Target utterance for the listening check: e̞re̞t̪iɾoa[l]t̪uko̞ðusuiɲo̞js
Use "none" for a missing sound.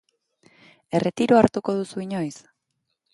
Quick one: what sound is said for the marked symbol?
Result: ɾ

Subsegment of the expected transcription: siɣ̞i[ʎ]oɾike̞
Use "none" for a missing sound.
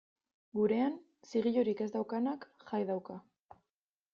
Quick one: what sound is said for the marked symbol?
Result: ʎ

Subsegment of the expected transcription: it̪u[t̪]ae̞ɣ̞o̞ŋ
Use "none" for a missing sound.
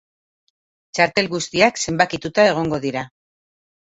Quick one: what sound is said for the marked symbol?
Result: t̪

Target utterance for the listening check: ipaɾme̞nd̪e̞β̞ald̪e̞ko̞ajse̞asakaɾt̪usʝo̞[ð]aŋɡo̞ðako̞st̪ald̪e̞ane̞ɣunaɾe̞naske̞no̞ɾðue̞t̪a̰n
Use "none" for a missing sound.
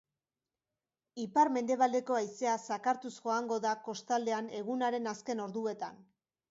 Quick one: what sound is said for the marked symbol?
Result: none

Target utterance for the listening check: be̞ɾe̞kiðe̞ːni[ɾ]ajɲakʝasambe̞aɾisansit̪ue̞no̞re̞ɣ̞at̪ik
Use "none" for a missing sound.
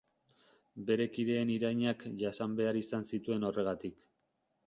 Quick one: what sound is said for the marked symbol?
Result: ɾ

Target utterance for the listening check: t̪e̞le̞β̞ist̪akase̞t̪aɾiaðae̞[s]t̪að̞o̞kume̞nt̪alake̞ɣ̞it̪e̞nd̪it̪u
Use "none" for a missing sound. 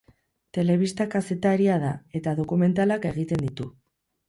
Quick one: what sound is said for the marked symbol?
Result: none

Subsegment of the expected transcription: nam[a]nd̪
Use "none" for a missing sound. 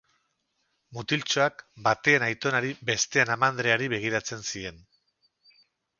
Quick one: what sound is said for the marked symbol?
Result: a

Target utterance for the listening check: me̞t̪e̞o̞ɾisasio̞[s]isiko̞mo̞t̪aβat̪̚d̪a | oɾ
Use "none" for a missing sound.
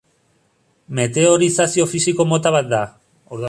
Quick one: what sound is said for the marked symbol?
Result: f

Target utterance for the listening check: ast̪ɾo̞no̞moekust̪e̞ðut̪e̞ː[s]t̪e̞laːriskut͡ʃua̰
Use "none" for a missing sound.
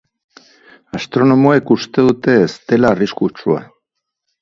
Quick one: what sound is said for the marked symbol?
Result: s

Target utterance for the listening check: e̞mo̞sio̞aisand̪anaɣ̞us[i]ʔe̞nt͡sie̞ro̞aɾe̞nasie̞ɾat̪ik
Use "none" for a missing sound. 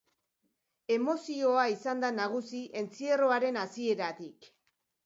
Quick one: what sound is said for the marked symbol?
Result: i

